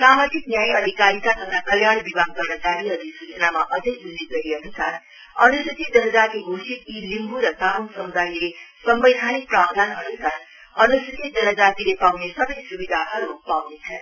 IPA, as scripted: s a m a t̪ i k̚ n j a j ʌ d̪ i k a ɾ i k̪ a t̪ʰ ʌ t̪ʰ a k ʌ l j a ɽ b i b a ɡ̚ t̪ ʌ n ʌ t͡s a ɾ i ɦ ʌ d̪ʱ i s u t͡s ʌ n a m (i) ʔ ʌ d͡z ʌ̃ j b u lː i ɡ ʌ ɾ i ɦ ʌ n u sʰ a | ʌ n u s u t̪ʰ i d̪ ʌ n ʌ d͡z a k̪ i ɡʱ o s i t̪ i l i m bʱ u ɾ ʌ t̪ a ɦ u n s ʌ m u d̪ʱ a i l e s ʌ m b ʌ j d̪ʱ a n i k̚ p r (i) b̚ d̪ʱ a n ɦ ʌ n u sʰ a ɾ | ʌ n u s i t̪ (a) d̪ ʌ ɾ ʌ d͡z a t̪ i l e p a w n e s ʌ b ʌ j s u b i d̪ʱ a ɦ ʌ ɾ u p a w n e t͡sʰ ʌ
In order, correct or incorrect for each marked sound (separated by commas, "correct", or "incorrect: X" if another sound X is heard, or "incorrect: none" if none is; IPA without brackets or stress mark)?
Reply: incorrect: a, incorrect: a, incorrect: i